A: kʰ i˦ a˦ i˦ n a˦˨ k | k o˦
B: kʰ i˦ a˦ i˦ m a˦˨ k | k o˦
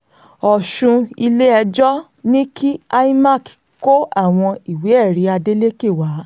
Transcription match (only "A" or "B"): B